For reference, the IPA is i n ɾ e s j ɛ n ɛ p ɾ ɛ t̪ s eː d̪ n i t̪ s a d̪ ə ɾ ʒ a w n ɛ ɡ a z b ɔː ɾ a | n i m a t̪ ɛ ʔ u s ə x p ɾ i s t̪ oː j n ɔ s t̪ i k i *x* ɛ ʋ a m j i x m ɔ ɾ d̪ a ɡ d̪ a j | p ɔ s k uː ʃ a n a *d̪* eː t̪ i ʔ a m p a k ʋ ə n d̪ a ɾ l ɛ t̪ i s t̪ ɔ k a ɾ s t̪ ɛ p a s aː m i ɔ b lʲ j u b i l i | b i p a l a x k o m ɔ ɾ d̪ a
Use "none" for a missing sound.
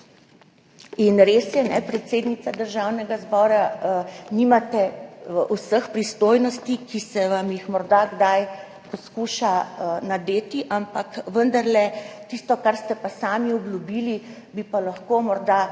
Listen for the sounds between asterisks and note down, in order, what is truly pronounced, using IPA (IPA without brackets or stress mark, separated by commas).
s, d̪